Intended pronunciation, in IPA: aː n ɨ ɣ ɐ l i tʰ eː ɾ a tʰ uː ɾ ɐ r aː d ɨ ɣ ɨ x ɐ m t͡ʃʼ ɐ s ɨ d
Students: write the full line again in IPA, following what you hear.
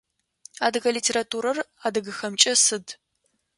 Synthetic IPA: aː d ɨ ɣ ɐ l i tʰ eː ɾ a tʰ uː ɾ ɐ r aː d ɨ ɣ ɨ x ɐ m t͡ʃʼ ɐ s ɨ d